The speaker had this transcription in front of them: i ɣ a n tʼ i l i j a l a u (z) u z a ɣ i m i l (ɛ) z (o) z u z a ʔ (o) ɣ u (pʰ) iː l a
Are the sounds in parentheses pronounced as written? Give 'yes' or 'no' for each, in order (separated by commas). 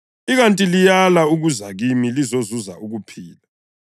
no, no, yes, no, yes